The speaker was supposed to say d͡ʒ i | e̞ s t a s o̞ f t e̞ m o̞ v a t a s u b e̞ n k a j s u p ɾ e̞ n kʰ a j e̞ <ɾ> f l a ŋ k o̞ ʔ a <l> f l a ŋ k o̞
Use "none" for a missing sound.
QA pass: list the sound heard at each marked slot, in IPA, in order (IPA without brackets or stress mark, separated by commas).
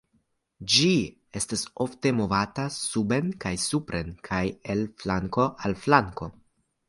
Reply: l, l